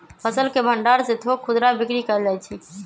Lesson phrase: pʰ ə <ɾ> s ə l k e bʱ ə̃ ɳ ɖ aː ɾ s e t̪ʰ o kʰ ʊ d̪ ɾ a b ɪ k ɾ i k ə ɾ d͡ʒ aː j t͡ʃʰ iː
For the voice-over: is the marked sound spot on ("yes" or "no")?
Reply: no